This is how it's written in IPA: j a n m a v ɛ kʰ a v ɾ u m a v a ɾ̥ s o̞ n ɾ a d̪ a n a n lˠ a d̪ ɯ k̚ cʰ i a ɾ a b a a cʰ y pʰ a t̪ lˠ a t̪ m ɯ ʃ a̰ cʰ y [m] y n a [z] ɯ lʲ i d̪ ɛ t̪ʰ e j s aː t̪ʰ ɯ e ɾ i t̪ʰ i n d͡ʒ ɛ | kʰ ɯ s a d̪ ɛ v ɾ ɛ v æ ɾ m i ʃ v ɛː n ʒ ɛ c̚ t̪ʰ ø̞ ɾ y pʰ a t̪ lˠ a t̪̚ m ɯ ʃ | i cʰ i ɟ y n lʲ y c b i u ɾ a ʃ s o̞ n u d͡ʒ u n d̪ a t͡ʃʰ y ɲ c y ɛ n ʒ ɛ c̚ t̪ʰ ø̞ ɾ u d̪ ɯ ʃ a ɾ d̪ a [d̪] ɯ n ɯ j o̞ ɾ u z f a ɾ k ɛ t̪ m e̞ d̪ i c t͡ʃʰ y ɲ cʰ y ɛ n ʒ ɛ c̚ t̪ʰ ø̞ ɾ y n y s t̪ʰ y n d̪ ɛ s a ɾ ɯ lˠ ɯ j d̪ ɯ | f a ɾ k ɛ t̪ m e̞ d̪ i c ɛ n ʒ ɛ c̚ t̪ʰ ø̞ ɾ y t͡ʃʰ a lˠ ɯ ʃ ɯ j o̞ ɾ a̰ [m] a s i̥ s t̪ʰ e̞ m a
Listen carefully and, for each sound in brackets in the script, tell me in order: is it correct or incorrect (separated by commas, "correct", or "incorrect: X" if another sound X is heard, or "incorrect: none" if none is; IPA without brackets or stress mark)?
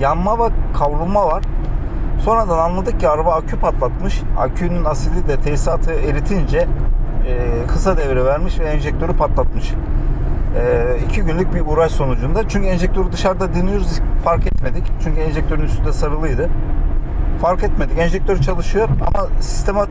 incorrect: n, incorrect: s, correct, correct